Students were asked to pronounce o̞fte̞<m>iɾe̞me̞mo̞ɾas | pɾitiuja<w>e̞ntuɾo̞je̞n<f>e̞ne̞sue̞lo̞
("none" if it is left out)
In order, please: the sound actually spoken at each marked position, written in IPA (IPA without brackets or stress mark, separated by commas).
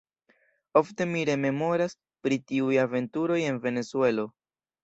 m, v, v